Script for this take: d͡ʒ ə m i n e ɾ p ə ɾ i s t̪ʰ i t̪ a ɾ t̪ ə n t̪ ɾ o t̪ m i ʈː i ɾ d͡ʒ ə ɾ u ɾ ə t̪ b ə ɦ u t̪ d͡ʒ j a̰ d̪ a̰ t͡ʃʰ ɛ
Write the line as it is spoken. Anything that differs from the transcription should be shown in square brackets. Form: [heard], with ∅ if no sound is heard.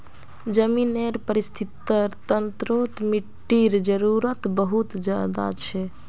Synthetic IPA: d͡ʒ ə m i n e ɾ p ə ɾ i s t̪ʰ i t̪ [ə] ɾ t̪ ə n t̪ ɾ o t̪ m i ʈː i ɾ d͡ʒ ə ɾ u ɾ ə t̪ b ə ɦ u t̪ d͡ʒ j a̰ d̪ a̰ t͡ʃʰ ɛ